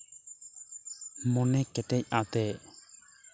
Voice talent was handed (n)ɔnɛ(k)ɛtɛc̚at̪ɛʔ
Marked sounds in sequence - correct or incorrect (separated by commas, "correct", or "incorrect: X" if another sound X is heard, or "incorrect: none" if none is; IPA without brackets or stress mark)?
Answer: incorrect: m, correct